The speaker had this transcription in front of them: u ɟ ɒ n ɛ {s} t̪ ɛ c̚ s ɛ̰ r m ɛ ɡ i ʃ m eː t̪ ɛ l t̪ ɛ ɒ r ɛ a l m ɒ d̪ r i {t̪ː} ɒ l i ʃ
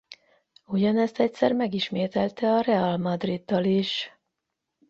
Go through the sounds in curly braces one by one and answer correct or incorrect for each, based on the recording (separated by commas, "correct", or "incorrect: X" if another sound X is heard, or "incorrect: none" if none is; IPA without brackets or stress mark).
correct, incorrect: d̪ː